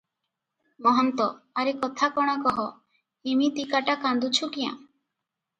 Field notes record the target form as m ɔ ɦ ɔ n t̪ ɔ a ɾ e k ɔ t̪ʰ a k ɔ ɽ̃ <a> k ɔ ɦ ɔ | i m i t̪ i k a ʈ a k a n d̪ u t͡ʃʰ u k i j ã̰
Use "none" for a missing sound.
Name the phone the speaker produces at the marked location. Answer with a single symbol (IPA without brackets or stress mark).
a